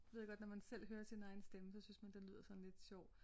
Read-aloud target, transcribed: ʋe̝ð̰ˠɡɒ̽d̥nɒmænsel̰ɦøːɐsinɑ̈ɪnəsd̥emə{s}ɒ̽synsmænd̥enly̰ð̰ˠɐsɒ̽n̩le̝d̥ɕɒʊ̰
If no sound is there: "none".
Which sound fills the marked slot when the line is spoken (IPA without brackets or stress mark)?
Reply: s